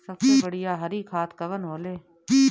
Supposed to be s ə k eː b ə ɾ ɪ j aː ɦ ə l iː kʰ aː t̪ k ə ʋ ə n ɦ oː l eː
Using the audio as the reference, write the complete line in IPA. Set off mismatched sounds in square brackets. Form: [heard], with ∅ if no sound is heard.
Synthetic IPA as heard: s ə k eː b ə [ɽ] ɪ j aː ɦ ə [ɾ] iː kʰ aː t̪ k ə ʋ ə n ɦ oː l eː